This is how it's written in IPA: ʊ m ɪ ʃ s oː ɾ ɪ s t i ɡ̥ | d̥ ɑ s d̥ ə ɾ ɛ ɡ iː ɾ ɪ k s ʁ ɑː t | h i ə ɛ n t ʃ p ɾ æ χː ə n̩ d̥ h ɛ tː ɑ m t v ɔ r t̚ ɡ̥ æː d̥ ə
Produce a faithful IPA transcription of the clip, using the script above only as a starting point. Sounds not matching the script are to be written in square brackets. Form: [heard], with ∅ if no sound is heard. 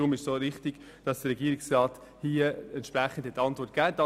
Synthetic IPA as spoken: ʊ m ɪ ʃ s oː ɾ ɪ [χ] t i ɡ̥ | d̥ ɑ s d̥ ə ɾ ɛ ɡ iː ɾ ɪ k s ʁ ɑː t | h i ə ɛ n t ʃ p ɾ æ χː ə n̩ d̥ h ɛ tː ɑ [n] t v ɔ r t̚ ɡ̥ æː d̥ [ɑ]